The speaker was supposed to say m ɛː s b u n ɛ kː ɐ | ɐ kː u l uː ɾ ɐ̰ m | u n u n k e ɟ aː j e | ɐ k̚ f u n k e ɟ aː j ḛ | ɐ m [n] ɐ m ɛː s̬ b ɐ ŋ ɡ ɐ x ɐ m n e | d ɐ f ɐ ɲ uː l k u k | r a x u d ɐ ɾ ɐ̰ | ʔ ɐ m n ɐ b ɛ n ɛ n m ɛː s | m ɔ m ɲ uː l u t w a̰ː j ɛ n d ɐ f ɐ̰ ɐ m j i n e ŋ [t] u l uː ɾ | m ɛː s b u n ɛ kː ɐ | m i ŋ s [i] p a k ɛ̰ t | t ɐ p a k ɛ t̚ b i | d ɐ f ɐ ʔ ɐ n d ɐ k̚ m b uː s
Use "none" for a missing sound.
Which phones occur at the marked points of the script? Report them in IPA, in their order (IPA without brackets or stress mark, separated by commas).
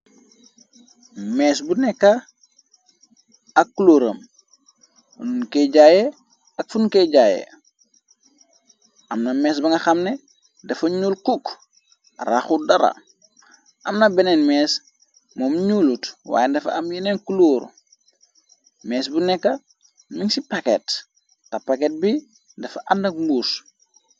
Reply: n, k, i